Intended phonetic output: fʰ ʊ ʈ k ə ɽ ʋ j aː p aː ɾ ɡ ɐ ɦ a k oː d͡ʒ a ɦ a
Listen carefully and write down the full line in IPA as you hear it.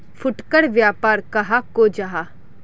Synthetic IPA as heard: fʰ ʊ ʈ k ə ɽ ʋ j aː p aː ɾ k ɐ ɦ a k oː d͡ʒ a ɦ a